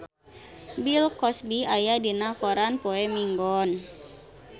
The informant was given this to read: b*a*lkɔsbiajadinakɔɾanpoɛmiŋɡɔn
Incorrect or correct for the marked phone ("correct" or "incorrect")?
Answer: incorrect